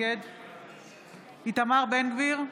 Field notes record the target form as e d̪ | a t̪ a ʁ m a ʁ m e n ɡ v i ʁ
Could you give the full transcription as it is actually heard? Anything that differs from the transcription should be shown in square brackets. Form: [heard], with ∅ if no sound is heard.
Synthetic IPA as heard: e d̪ | [i] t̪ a [∅] m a ʁ [b] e n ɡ v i ʁ